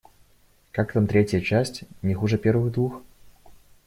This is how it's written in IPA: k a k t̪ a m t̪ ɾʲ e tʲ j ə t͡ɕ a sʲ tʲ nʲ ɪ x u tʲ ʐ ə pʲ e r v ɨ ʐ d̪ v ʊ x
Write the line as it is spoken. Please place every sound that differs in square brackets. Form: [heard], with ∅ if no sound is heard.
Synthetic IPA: k a k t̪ a m t̪ ɾʲ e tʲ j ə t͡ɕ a sʲ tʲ nʲ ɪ x u [∅] ʐ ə pʲ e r v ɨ [ɣ] d̪ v [u] x